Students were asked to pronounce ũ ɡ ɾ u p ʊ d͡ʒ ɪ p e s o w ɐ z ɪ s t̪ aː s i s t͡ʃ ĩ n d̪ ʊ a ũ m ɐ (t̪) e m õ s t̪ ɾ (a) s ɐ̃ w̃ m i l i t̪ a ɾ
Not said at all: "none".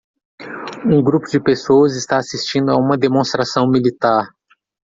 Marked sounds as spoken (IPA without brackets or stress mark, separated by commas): d̪, a